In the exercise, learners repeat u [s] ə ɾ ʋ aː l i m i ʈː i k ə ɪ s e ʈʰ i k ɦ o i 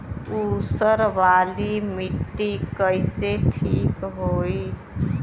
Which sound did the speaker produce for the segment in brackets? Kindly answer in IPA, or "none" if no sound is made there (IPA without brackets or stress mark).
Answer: s